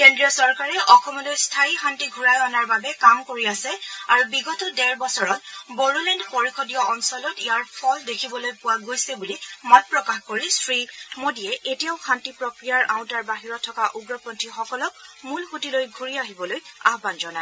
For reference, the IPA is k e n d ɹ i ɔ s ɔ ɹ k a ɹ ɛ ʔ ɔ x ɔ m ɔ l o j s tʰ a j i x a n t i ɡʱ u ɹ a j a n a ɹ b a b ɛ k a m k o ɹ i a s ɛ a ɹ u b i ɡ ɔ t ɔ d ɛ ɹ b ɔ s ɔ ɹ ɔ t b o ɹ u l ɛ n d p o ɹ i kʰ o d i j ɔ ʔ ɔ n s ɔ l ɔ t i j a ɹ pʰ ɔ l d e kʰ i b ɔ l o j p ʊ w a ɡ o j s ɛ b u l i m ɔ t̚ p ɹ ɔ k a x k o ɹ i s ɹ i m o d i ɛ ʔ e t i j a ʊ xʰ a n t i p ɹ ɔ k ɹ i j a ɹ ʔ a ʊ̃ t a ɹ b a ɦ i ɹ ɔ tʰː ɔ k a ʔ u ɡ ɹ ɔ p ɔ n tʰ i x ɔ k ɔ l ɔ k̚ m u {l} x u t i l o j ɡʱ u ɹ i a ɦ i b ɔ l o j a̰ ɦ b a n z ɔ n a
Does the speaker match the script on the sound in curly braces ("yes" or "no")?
yes